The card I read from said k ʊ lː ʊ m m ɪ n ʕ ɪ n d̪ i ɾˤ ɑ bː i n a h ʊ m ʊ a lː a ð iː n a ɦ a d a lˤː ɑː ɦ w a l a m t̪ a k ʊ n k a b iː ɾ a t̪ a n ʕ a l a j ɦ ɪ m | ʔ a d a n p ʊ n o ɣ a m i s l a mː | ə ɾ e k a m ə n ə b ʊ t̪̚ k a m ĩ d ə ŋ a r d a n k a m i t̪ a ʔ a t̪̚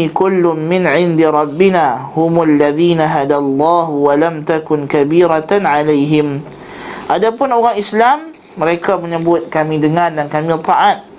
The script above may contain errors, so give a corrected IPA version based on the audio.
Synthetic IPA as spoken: k ʊ lː ʊ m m ɪ n ʕ ɪ n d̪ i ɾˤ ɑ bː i n a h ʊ m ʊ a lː a ð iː n a ɦ a d a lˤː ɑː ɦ w a l a m t̪ a k ʊ n k a b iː ɾ a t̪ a n ʕ a l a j ɦ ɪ m | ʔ a d a p ʊ n o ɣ a ŋ i s l a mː | ə ɾ e k a m ə ɲ ə b ʊ t̪̚ k a m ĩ d ə ŋ a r d a n k a m i t̪ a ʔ a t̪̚